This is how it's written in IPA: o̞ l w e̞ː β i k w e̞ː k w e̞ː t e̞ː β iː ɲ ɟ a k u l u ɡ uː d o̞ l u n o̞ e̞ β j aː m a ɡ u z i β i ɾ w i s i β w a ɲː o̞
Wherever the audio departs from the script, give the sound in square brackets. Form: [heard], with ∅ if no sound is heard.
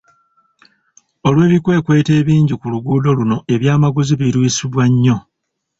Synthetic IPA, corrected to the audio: o̞ l w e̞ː β i k w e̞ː k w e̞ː t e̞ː β iː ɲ ɟ [i] k u l u ɡ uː d o̞ l u n o̞ e̞ β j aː m a ɡ u z i β i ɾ w i s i β w a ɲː o̞